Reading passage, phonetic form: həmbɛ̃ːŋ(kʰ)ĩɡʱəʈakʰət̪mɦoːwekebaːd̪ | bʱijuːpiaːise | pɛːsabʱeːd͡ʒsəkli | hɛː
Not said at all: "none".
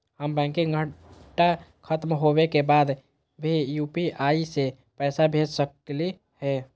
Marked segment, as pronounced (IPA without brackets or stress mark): k